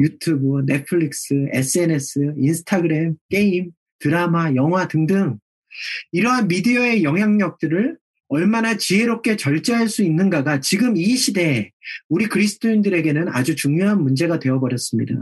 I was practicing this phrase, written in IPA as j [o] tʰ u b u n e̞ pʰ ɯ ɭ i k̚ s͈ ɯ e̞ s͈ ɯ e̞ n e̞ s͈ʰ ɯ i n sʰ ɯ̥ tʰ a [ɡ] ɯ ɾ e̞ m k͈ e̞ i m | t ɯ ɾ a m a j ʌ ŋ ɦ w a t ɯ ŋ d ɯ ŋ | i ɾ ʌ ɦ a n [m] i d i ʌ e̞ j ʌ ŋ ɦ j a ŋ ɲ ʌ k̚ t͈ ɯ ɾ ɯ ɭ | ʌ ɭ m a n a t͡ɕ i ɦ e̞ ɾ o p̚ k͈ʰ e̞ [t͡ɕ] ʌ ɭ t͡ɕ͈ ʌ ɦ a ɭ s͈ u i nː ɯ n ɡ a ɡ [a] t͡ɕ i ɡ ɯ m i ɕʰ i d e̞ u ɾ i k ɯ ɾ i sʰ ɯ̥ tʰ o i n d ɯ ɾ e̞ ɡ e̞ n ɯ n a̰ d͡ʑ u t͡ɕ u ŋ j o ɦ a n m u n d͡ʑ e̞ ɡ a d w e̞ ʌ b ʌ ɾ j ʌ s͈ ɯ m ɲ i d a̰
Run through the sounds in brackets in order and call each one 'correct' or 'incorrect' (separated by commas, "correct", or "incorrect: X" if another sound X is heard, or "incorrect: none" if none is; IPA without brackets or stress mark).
incorrect: u, correct, correct, correct, correct